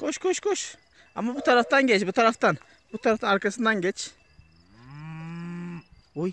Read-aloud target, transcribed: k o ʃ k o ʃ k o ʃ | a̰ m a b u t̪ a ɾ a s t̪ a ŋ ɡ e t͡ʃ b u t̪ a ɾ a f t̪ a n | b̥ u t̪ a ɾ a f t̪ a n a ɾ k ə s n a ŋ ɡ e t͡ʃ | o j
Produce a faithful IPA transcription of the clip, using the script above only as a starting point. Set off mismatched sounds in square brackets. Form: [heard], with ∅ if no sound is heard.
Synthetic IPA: k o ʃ k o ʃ k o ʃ | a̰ m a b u t̪ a ɾ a [f] t̪ a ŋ ɡ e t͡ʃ b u t̪ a ɾ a f t̪ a n | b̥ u t̪ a ɾ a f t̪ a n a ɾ k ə s n a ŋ ɡ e t͡ʃ | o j